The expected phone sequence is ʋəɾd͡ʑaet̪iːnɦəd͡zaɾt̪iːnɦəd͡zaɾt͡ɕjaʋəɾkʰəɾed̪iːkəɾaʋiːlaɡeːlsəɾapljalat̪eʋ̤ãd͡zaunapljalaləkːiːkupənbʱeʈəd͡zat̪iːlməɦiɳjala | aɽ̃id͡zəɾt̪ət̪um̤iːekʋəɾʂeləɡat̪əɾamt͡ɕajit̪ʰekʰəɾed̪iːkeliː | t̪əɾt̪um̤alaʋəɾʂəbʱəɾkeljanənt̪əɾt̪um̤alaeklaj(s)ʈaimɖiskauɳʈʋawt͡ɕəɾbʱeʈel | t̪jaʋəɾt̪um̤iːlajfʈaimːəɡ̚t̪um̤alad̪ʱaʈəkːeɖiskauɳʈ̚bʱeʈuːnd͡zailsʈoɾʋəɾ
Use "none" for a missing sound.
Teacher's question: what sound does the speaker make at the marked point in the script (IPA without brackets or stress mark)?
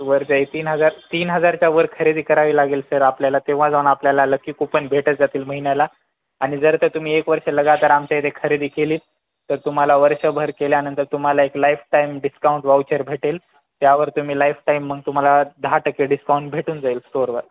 f